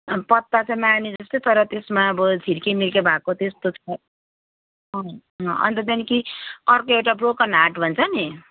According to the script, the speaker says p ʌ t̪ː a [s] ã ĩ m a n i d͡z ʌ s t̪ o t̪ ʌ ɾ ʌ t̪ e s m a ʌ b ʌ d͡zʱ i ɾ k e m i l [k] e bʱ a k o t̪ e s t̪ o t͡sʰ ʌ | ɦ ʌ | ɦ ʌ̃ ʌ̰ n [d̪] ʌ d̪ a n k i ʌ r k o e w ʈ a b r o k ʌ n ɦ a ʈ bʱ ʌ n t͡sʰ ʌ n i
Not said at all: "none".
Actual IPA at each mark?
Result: t͡s, k, t̪

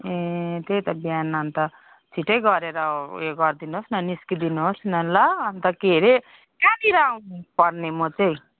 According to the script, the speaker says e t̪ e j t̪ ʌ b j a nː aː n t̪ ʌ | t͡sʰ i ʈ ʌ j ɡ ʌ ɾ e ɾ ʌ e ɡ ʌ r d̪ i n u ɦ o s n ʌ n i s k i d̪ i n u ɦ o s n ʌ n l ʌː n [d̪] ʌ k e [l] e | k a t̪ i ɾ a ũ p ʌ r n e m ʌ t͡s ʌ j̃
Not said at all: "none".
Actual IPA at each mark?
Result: t̪, ɾ

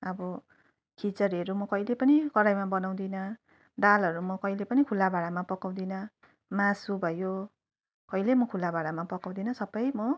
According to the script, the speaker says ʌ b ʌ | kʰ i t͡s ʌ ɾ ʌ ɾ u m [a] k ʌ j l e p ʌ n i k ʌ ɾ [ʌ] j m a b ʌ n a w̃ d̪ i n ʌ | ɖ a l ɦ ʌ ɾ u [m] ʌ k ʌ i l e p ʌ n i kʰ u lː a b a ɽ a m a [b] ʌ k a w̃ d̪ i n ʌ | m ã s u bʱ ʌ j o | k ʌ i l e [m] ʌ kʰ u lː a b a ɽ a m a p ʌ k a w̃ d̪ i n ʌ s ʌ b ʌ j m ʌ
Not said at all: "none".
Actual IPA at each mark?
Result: ʌ, a, m, p, m

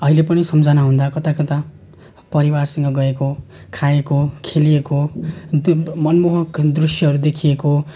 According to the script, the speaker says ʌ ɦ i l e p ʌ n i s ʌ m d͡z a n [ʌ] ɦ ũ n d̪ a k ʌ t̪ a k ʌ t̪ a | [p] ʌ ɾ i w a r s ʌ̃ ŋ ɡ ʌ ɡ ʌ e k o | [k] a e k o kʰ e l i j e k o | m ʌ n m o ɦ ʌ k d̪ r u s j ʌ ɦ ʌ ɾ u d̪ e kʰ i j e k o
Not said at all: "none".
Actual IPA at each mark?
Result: a, p, kʰ

